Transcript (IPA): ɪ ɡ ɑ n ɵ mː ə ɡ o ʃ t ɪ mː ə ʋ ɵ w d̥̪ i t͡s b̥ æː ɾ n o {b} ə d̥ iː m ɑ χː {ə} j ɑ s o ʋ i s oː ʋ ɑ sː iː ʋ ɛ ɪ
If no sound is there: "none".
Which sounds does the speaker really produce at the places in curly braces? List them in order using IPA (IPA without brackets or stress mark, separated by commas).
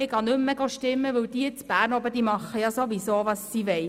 b, ə